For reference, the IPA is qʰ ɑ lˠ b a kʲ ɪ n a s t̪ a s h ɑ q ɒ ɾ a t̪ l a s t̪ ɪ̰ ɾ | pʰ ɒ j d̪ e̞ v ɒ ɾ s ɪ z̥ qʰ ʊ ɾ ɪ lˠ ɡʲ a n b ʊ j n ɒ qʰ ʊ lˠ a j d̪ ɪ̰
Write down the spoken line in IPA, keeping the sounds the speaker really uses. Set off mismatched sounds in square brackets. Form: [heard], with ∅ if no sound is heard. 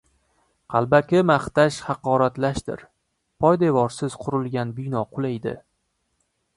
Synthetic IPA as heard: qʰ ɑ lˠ b a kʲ ɪ [m] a [χ] t̪ a [ʃ] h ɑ q ɒ ɾ a t̪ l a [ʃ] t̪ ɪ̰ ɾ | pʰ ɒ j d̪ e̞ v ɒ ɾ s ɪ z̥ qʰ ʊ ɾ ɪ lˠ ɡʲ a n b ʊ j n ɒ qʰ ʊ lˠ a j d̪ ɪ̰